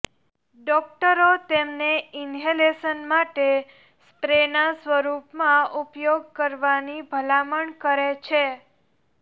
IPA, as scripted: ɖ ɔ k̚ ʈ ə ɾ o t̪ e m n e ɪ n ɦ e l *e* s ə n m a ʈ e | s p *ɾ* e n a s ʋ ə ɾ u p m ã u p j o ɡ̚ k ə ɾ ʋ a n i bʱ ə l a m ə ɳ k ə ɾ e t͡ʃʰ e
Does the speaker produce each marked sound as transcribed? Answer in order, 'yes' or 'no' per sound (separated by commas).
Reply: yes, yes